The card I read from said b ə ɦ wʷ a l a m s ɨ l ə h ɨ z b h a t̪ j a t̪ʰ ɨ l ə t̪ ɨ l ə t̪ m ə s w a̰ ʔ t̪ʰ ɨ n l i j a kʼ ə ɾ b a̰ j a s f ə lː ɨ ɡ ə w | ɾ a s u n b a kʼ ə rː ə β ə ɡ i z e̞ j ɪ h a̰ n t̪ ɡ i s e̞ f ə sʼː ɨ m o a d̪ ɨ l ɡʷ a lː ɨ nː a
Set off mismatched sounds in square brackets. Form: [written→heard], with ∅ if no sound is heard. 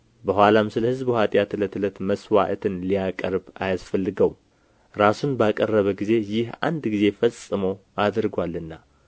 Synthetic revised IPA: b ə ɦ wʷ a l a m s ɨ l ə h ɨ z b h a [t̪→t̪ʼ] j a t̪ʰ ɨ l ə t̪ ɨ l ə t̪ m ə s w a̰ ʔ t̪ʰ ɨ n l i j a kʼ ə ɾ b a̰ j a s f ə lː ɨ ɡ ə w | ɾ a s u n b a kʼ ə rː ə β ə ɡ i z e̞ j ɪ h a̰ n [t̪→d̪] ɡ i [s→z] e̞ f ə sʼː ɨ m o a d̪ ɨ [l→ɾ] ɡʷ a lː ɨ nː a